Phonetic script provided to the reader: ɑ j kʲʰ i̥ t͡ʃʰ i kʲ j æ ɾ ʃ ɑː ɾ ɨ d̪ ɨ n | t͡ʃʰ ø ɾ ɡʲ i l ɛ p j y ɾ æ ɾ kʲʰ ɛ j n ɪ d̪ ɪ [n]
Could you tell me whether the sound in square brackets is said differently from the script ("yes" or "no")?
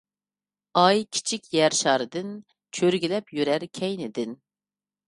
no